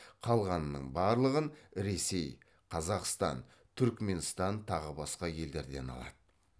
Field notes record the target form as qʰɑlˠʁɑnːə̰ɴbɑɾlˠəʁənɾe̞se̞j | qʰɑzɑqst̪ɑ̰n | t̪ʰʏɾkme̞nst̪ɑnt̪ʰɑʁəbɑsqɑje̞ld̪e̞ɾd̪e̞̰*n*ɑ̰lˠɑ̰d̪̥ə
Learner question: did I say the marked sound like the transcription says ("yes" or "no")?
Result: yes